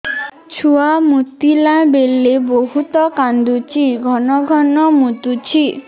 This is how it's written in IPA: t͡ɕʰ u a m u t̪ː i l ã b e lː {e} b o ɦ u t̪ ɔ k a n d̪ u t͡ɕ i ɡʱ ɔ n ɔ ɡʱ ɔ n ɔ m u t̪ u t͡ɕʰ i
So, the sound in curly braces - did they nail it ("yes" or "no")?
yes